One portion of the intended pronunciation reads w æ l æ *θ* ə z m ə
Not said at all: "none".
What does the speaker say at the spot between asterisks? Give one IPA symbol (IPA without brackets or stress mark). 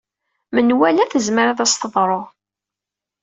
θ